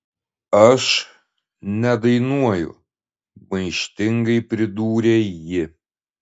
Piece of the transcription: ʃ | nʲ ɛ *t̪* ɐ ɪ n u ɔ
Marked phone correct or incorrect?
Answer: incorrect